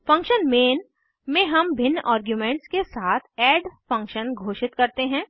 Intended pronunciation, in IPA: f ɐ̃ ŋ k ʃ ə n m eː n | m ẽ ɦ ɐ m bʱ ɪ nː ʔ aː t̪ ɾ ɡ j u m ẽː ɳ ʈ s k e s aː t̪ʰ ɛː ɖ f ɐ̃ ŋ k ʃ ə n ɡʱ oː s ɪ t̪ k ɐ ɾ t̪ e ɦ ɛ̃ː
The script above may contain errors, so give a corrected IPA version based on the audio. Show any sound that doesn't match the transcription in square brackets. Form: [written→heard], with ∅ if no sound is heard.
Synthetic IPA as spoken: f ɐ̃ ŋ k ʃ ə n m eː n | m ẽ ɦ ɐ m bʱ ɪ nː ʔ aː [t̪→∅] ɾ ɡ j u m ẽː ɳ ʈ s k e s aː t̪ʰ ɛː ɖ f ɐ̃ ŋ k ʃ ə n ɡʱ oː [s→ʃ] ɪ t̪ k ɐ ɾ t̪ e ɦ ɛ̃ː